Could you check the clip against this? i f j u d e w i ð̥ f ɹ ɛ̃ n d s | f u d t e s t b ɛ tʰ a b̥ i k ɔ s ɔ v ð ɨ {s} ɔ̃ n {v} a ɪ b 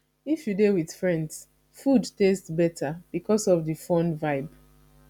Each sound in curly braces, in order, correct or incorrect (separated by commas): incorrect, correct